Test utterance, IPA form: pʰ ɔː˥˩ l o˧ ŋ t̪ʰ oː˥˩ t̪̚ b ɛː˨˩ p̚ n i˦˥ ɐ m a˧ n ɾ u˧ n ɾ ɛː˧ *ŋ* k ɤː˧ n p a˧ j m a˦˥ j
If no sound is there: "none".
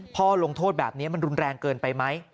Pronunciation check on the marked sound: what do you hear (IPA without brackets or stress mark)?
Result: ŋ